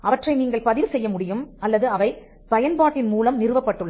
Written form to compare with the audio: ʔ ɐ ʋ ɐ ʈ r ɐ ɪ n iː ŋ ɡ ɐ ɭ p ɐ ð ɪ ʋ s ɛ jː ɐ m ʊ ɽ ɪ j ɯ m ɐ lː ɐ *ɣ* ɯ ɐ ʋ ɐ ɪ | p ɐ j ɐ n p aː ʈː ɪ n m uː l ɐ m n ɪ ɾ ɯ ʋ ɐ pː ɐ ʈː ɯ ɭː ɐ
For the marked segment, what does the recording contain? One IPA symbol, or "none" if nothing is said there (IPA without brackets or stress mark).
ð